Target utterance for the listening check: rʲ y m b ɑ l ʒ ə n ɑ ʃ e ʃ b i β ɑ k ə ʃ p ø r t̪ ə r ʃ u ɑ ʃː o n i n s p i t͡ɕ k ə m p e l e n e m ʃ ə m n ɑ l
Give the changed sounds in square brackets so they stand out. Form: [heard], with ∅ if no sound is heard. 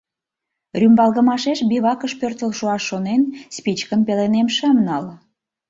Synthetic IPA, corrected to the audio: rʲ y m b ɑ l [ɣ] ə [m] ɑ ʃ e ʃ b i β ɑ k ə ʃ p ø r t̪ ə [l] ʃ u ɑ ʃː o n [e] n s p i t͡ɕ k ə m p e l e n e m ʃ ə m n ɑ l